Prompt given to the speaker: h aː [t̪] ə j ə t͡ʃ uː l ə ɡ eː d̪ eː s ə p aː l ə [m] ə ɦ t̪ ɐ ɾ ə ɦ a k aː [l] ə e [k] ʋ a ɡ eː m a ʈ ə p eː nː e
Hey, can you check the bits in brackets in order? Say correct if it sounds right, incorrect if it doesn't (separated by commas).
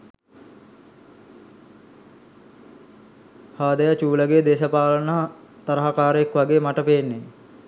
incorrect, incorrect, incorrect, correct